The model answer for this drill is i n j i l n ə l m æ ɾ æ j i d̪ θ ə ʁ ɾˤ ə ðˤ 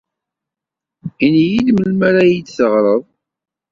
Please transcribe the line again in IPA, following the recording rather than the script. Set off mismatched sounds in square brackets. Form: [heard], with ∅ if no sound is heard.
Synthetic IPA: i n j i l [m] ə l m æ ɾ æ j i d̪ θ ə ʁ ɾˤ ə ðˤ